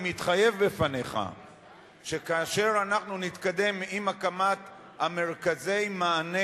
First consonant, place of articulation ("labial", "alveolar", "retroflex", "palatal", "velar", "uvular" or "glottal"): labial